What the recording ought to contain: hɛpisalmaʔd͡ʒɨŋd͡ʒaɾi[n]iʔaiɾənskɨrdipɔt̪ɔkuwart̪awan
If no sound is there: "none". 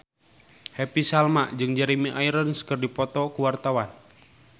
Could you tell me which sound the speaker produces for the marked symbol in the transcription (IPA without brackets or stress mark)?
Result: m